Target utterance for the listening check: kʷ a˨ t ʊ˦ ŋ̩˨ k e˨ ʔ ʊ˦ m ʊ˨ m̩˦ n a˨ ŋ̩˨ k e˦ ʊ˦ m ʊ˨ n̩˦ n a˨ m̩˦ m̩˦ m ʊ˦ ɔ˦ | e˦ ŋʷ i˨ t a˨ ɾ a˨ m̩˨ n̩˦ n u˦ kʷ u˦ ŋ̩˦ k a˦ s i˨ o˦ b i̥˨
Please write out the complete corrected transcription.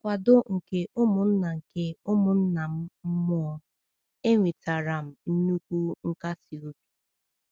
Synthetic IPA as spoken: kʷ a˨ d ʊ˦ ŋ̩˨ k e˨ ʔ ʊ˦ m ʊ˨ n̩˦ n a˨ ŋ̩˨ k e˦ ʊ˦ m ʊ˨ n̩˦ n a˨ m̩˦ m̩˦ m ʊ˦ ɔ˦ | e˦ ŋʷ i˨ t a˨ ɾ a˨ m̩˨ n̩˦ n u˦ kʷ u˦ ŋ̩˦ k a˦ s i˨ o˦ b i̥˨

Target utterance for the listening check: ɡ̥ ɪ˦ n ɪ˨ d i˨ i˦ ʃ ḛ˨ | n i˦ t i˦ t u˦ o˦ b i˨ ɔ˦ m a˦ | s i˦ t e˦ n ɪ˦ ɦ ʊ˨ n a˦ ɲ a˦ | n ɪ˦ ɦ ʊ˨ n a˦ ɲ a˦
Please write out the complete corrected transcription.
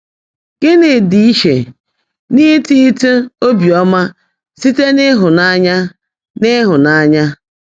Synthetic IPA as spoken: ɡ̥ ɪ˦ n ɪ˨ d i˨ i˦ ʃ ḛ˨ | n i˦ t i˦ t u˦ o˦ b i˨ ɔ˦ m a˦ | s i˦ t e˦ n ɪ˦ ɦ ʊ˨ n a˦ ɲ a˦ | n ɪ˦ ɦ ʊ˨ n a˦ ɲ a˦

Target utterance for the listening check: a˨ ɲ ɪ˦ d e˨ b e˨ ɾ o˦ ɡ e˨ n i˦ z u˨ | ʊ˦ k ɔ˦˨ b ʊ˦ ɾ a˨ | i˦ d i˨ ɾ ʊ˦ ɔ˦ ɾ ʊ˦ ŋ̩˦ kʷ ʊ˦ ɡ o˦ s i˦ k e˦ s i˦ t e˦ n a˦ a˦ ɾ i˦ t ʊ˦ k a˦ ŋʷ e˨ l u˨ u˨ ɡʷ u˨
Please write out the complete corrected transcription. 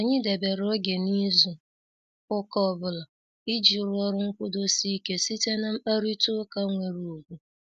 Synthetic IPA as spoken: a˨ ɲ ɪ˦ d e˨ b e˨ ɾ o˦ ɡ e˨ n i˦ z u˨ | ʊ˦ k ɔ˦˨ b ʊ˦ l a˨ | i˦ d͡ʒ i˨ ɾ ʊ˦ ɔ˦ ɾ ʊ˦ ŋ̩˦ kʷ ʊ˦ d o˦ s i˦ k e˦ s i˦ t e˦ n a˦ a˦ ɾ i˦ t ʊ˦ k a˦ ŋʷ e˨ ɾ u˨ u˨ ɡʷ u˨

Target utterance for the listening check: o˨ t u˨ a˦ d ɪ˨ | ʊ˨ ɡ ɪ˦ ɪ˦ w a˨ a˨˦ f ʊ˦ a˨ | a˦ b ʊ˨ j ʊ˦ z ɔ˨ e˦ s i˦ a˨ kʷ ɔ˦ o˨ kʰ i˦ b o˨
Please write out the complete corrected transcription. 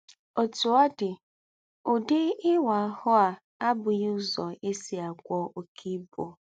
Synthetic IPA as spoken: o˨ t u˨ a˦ d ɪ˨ | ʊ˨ d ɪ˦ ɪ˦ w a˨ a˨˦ h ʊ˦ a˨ | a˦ b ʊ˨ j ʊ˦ z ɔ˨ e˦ s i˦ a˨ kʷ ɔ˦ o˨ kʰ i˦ b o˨

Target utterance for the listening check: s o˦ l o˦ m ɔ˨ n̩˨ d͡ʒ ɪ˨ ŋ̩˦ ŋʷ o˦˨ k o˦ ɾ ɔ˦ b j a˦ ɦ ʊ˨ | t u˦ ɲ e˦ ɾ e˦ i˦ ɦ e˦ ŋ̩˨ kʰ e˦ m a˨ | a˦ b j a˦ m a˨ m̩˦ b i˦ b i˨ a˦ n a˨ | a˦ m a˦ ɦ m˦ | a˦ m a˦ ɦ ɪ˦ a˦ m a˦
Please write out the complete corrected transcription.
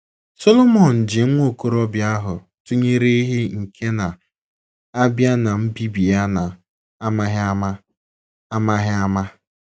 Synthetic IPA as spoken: s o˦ l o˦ m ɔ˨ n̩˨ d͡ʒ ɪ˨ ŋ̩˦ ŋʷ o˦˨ k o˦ ɾ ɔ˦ b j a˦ ɦ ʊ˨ | t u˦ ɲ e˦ ɾ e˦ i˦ ɦ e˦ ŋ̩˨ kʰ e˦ n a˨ | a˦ b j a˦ n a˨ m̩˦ b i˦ b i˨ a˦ n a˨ | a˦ m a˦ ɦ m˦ | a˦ m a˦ ɦ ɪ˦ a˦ m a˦

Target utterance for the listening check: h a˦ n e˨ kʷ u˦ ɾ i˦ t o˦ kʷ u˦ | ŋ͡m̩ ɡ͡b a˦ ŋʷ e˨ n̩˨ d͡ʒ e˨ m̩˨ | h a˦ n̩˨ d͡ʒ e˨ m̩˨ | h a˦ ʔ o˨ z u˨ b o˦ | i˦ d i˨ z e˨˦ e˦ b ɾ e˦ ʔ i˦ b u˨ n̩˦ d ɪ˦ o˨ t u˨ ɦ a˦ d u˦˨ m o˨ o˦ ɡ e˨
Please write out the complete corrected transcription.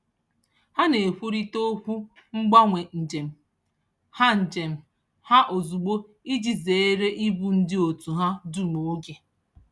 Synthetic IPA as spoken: h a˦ n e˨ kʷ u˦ ɾ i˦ t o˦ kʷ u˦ | ŋ͡m̩ ɡ͡b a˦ ŋʷ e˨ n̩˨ d͡ʒ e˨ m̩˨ | h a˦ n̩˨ d͡ʒ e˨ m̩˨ | h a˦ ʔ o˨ z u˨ ɡ͡b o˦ | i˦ d͡ʒ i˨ z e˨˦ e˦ ɾ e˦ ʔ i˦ b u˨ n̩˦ d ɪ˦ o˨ t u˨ ɦ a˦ d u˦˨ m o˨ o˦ ɡ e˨

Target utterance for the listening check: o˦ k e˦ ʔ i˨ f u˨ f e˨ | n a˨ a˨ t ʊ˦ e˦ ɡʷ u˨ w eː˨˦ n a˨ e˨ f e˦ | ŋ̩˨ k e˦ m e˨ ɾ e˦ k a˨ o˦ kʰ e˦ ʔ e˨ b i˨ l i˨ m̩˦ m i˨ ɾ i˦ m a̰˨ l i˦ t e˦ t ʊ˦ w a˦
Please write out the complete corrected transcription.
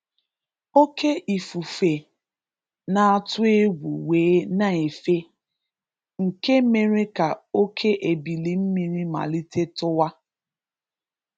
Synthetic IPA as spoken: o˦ k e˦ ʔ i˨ f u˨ f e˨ | n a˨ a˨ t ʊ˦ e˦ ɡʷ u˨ w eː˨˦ n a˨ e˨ f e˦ | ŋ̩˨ k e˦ m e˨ ɾ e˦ k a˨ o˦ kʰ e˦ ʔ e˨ b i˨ l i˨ m̩˦ m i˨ ɾ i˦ m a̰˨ l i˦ t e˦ t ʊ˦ w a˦

